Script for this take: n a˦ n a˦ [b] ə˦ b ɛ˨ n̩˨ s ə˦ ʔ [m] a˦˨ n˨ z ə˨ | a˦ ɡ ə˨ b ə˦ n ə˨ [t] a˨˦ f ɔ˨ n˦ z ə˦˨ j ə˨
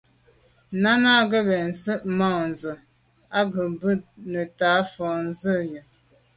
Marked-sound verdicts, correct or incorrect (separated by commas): incorrect, correct, correct